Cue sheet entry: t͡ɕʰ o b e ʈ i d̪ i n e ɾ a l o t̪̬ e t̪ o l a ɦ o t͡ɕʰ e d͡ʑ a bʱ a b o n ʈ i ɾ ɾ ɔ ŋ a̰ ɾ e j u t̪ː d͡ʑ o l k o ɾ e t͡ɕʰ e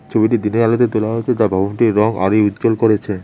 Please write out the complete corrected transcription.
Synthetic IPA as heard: t͡ɕʰ o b i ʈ i d̪ i n e ɾ a l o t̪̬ e t̪ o l a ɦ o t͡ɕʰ e d͡ʑ a bʱ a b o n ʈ i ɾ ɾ ɔ ŋ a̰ ɾ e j u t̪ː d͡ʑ o l k o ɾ e t͡ɕʰ e